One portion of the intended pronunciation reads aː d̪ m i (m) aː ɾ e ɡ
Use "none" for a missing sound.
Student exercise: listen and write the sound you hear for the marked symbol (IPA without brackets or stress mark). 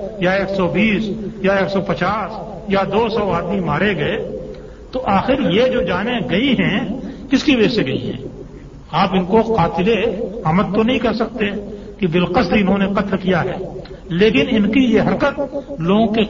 m